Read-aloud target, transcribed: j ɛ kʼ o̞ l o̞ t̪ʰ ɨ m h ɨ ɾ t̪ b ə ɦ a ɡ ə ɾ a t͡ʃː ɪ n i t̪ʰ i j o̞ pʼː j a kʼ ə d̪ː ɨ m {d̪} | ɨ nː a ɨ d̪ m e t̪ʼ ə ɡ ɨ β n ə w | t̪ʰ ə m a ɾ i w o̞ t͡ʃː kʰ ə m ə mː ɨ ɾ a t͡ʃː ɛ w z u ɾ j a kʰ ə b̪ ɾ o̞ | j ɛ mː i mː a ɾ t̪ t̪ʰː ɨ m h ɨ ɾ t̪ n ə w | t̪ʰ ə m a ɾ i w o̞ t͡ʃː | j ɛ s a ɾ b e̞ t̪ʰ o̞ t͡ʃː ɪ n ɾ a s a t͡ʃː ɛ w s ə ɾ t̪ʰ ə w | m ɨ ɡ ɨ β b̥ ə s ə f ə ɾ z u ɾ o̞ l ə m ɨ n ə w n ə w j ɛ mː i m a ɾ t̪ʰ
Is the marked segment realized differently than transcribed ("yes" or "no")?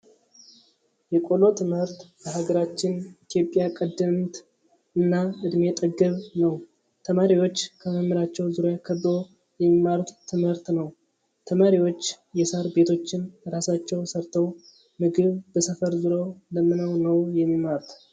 yes